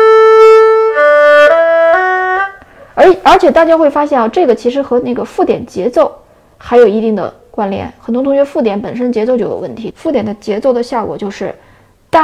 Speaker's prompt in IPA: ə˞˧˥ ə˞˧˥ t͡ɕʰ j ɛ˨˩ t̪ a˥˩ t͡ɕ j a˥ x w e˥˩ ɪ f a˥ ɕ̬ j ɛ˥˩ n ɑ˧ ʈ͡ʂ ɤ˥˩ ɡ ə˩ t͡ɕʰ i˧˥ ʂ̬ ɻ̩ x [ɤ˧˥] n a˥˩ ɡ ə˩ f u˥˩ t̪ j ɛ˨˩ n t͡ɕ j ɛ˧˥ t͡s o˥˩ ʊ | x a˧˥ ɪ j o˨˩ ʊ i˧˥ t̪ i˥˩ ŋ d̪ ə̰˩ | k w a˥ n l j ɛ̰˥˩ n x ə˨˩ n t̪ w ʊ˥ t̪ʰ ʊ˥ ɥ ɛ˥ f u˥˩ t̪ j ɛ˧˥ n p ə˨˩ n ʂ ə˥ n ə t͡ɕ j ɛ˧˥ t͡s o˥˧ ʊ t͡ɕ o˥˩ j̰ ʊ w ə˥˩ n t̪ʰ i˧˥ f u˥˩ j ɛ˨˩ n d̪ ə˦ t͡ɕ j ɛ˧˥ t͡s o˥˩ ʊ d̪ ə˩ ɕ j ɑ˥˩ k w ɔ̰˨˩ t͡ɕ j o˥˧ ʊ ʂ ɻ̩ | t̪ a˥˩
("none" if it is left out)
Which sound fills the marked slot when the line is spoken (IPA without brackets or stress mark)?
ɤ˧˥